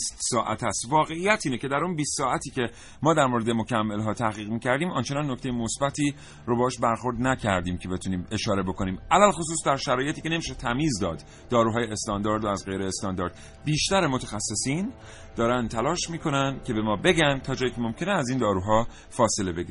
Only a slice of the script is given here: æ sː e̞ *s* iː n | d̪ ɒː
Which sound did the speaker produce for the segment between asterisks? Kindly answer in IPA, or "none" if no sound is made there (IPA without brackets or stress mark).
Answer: s